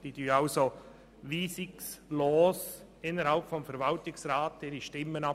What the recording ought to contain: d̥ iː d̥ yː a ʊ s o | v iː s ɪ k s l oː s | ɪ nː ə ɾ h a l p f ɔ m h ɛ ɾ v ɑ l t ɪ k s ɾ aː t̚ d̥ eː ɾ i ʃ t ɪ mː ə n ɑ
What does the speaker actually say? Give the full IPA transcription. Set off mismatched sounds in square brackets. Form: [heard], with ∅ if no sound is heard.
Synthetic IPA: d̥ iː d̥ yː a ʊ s o | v iː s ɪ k s l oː s | ɪ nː ə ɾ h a l p f ɔ m [f] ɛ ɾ v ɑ l t ɪ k s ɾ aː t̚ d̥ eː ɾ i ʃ t ɪ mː ə n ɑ